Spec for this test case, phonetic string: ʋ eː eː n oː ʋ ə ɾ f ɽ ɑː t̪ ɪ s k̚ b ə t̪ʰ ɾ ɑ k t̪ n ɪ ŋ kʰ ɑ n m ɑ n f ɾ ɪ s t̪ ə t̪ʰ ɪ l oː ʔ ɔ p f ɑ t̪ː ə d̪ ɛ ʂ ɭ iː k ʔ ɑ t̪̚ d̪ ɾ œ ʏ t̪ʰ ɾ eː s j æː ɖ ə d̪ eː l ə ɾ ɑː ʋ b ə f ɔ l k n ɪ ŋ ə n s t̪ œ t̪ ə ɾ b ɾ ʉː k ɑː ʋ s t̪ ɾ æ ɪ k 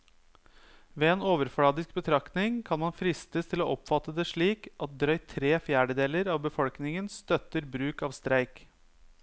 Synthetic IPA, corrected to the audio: ʋ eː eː n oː ʋ ə ɾ f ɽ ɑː d̪ ɪ s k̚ b ə t̪ʰ ɾ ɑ k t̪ n ɪ ŋ kʰ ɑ n m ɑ n f ɾ ɪ s t̪ ə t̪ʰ ɪ l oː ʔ ɔ p f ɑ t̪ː ə d̪ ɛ ʂ ɭ iː k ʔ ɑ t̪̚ d̪ ɾ œ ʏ t̪ʰ ɾ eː f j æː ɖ ə d̪ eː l ə ɾ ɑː ʋ b ə f ɔ l k n ɪ ŋ ə n s t̪ œ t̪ ə ɾ b ɾ ʉː k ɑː ʋ s t̪ ɾ æ ɪ k

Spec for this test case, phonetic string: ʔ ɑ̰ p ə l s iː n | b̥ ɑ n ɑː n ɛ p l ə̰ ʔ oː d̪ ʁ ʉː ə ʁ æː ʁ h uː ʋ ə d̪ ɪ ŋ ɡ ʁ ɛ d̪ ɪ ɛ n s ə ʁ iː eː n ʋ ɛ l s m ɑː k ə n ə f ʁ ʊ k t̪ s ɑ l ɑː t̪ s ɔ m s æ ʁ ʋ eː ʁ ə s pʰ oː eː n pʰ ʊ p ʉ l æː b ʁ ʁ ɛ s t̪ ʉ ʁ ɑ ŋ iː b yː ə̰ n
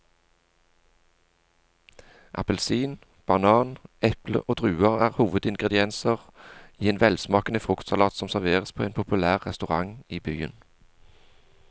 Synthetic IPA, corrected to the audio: ʔ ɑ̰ p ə l s iː n | b̥ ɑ n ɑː n ɛ p l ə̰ ʔ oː d̪ ʁ ʉː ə ʁ æː ʁ h uː ʋ ə d̪ ɪ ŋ ɡ ʁ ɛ d̪ ɪ ɛ n s ə ʁ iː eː n ʋ ɛ l s m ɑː k ə n ə f ʁ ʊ k t̪ s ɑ l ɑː t̪ s ɔ m s æ ʁ ʋ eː ʁ ə s pʰ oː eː n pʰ ʊ p ʉ l æː ʁ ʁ ɛ s t̪ ʉ ʁ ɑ ŋ iː b yː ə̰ n

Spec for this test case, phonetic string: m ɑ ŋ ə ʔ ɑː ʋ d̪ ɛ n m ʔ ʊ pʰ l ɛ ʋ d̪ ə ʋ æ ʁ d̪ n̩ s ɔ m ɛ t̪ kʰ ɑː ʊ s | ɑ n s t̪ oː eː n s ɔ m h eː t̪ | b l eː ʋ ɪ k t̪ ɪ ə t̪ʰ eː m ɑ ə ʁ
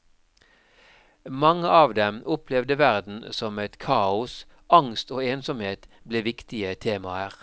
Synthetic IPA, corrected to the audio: m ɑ ŋ ə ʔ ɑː ʋ d̪ ɛ m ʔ ʊ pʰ l ɛ ʋ d̪ ə ʋ æ ʁ d̪ n̩ s ɔ m ɛ t̪ kʰ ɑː ʊ s | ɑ ŋ s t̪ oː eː n s ɔ m h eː t̪ | b l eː ʋ ɪ k t̪ ɪ ə t̪ʰ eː m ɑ ə ʁ

